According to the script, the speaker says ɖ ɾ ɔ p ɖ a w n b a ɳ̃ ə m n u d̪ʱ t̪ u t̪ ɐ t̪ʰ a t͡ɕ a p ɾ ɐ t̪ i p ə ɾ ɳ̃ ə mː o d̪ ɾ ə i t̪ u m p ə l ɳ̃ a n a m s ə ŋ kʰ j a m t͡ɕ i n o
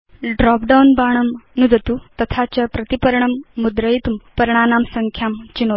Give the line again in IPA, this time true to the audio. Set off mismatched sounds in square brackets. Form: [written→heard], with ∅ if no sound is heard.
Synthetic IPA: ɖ ɾ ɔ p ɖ a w n b a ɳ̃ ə m n u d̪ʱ t̪ u t̪ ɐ t̪ʰ a t͡ɕ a p ɾ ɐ t̪ i p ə ɾ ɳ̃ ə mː [o→u] d̪ ɾ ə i t̪ u m p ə [l→ɾ] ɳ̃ a n a m s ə ŋ kʰ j a m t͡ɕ i n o

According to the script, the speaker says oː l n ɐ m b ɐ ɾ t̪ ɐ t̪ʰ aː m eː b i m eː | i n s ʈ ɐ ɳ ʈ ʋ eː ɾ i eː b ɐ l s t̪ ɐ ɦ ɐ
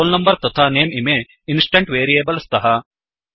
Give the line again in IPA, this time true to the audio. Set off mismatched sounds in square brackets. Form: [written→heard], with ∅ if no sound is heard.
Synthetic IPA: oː l n ɐ m b ɐ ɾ t̪ ɐ t̪ʰ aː [m→n] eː [b→m] i m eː | i n s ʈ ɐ ɳ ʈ ʋ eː ɾ i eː b ɐ l s t̪ ɐ ɦ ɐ

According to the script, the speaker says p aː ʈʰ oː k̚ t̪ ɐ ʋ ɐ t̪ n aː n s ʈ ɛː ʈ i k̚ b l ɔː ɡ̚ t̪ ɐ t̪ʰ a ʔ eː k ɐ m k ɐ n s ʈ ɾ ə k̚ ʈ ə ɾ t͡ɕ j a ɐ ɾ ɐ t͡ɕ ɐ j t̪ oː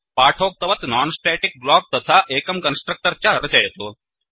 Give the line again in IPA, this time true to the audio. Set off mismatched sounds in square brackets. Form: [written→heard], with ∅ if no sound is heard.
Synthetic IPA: p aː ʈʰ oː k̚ t̪ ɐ ʋ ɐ t̪ n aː n s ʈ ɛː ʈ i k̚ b l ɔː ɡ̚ t̪ ɐ t̪ʰ a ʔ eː k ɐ m k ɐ n s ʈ ɾ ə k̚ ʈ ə ɾ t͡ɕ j a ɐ ɾ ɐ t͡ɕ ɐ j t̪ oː

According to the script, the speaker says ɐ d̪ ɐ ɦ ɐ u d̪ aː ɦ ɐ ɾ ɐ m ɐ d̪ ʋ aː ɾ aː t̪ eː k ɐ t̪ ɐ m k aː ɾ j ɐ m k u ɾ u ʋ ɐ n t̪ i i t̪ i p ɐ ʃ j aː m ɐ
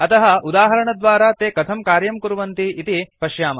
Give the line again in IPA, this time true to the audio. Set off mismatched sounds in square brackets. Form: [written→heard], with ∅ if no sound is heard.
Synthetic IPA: ɐ [d̪→t̪] ɐ ɦ ɐ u d̪ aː ɦ ɐ ɾ ɐ [m→ɳ] ɐ d̪ ʋ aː ɾ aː t̪ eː k ɐ [t̪→t̪ʰ] ɐ m k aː ɾ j ɐ m k u ɾ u ʋ ɐ n t̪ i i t̪ i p ɐ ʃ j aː m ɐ

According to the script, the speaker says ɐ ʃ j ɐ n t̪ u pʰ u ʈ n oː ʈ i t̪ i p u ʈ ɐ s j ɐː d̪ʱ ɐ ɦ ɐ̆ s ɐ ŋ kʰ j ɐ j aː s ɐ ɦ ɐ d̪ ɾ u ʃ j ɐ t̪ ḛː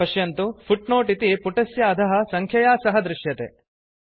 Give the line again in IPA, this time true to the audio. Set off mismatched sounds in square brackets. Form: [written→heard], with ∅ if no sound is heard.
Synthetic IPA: ɐ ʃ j ɐ n t̪ u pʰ u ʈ n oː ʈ i t̪ i p u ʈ ɐ s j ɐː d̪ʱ ɐ ɦ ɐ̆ s ɐ ŋ kʰ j ɐ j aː s ɐ ɦ ɐ d̪ ɾ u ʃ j ɐ t̪ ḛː

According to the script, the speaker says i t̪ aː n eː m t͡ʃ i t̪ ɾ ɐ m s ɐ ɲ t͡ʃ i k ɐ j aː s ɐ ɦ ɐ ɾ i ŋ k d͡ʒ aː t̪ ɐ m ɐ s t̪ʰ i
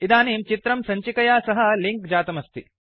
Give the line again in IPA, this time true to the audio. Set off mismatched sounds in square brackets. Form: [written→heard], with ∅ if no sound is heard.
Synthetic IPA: i [t̪→d̪] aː n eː m t͡ʃ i t̪ ɾ ɐ m s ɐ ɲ t͡ʃ i k ɐ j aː s ɐ ɦ ɐ [ɾ→l] i ŋ k d͡ʒ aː t̪ ɐ m ɐ s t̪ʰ i

